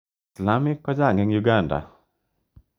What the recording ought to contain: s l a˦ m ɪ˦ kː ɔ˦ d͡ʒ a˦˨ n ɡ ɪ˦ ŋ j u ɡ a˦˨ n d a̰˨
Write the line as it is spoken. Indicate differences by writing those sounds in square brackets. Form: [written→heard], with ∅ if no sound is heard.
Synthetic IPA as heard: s l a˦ m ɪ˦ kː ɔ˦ d͡ʒ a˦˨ [n→ŋ] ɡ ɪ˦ ŋ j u ɡ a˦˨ n d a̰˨